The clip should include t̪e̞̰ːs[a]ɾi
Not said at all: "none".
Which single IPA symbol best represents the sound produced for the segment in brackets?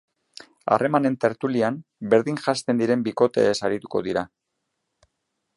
a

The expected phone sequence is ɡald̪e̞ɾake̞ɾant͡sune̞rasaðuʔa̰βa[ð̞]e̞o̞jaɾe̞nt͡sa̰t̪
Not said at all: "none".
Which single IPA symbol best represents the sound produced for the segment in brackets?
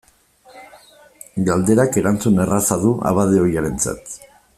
ð̞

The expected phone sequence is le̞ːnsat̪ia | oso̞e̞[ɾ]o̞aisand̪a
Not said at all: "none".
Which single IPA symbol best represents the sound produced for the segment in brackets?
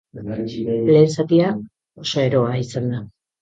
ɾ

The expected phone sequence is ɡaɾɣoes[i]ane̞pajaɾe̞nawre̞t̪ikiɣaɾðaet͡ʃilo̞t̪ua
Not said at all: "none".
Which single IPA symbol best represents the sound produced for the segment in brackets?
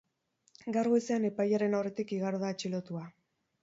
e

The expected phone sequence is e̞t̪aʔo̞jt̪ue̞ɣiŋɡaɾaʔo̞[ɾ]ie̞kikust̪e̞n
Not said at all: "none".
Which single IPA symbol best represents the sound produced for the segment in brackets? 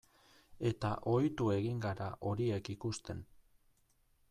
ɾ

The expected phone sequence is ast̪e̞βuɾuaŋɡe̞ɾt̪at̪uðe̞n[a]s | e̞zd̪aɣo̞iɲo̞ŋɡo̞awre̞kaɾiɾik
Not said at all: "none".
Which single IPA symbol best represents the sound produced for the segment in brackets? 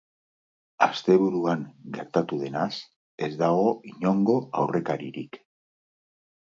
a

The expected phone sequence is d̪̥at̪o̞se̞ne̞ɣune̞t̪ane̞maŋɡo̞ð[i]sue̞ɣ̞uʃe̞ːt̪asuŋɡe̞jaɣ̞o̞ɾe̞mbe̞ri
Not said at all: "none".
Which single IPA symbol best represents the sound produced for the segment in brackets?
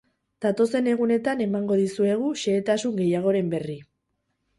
i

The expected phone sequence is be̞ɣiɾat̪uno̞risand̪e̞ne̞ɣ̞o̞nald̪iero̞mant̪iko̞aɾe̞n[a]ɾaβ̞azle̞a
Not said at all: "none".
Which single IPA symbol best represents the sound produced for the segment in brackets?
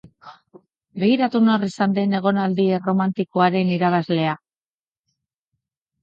i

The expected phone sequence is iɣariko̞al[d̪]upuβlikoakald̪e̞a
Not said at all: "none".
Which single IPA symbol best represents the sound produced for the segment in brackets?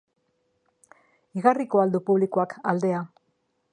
d̪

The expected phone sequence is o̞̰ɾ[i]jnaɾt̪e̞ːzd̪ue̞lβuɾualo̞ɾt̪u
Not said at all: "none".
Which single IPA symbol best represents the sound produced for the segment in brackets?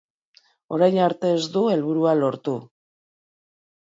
a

